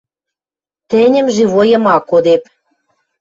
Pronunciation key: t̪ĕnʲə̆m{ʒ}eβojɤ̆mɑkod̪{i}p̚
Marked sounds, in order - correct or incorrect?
correct, incorrect: e

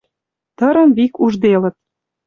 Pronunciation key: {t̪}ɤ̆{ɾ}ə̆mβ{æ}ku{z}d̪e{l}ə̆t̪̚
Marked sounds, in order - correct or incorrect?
correct, correct, incorrect: i, incorrect: ʒ, correct

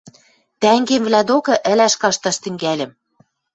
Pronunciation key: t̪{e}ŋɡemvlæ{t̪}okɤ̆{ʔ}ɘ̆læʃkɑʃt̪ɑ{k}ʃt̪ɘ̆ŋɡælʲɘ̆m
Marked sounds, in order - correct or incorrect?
incorrect: æ, incorrect: d̪, correct, incorrect: none

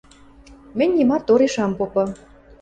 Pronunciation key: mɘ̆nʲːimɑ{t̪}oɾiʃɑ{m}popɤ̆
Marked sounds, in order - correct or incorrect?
correct, correct

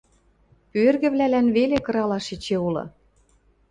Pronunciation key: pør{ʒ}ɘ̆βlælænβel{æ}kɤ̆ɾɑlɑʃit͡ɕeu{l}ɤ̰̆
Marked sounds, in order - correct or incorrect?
incorrect: ɣ, incorrect: e, correct

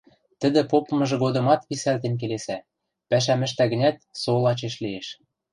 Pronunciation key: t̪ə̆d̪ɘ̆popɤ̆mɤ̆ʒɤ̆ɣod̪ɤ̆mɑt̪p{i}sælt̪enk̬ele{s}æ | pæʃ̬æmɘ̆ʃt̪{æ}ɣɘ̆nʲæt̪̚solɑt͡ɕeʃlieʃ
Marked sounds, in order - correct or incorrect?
correct, correct, correct

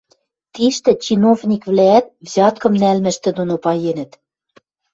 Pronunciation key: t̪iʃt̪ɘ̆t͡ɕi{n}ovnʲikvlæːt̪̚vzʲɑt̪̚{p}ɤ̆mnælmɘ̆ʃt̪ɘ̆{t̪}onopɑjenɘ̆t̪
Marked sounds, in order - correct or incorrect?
correct, incorrect: k, incorrect: d̪

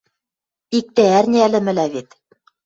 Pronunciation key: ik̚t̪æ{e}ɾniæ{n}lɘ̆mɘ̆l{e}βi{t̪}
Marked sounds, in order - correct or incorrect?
incorrect: æ, incorrect: none, incorrect: æ, correct

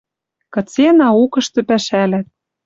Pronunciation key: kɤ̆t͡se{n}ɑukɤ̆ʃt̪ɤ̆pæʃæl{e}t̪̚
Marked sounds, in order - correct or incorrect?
correct, incorrect: æ

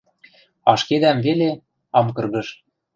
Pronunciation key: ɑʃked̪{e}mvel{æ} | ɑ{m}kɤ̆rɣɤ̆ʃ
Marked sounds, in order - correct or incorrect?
incorrect: æ, incorrect: e, correct

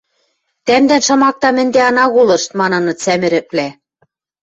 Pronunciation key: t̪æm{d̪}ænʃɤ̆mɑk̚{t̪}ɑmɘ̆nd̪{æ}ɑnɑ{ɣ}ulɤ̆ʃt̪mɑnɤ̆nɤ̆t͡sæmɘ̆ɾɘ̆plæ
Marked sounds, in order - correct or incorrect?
correct, correct, incorrect: e, correct

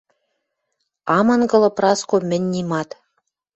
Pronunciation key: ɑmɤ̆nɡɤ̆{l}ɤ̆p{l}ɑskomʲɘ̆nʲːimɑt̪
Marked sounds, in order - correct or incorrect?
correct, incorrect: r

